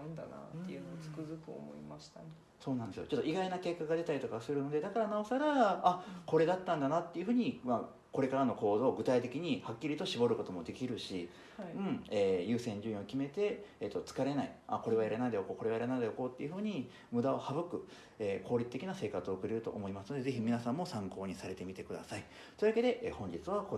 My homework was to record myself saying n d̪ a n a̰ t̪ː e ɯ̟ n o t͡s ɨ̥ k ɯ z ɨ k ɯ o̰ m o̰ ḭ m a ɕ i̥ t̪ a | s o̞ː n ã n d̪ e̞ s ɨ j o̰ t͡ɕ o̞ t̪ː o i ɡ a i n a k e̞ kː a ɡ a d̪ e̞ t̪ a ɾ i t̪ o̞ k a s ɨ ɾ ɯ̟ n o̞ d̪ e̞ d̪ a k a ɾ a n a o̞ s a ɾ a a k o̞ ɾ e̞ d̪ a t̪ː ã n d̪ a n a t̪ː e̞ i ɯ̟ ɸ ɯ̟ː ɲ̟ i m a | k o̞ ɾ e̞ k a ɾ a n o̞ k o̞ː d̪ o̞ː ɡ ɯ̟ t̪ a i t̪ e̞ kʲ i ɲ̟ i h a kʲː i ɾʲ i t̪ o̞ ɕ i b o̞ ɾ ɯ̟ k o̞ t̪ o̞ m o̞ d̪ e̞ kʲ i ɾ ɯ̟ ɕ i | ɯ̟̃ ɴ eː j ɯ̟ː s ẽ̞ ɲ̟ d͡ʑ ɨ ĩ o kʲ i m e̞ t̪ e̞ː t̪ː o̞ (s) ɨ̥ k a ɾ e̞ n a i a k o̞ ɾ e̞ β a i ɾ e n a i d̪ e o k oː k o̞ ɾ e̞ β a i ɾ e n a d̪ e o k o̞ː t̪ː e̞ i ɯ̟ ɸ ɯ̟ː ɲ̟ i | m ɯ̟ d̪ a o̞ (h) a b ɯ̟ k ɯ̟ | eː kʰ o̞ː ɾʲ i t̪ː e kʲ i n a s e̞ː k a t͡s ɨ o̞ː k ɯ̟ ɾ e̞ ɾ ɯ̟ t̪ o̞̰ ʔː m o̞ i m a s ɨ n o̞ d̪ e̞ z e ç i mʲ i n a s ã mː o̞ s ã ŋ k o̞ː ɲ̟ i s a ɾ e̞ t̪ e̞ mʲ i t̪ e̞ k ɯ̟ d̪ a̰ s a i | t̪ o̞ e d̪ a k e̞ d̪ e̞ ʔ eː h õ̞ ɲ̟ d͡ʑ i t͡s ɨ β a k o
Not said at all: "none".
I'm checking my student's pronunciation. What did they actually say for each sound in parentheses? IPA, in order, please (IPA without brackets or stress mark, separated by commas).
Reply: t͡s, h